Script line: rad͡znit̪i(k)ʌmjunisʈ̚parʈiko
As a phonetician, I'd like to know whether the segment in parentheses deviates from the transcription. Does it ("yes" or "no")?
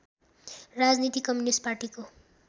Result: no